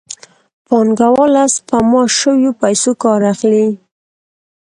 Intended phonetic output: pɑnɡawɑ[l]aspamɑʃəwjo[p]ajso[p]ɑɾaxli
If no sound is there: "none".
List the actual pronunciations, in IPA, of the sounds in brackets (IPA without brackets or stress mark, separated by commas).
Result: l, p, k